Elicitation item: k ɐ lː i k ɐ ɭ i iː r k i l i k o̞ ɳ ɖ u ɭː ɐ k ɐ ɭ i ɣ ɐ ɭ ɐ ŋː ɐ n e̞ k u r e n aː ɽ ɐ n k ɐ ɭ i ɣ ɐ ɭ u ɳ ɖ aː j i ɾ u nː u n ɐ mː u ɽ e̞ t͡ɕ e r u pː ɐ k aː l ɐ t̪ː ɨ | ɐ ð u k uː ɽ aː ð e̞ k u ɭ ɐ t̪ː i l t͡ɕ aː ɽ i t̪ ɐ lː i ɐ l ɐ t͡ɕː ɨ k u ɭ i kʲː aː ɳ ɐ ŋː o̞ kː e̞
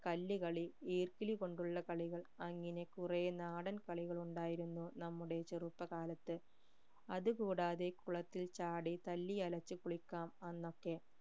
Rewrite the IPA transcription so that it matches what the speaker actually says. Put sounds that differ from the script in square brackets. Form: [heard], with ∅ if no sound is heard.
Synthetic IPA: k ɐ lː i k ɐ ɭ i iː r k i l i k o̞ ɳ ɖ u ɭː ɐ k ɐ ɭ i ɣ ɐ ɭ ɐ ŋː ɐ n e̞ k u r e n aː ɽ ɐ n k ɐ ɭ i ɣ ɐ ɭ u ɳ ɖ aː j i ɾ u nː u n ɐ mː u ɽ e̞ t͡ɕ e r u pː ɐ k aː l ɐ t̪ː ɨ | ɐ ð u k uː ɽ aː ð e̞ k u ɭ ɐ t̪ː i l t͡ɕ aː ɽ i t̪ ɐ lː i ɐ l ɐ t͡ɕː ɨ k u ɭ i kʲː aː [m] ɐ [nː] o̞ kː e̞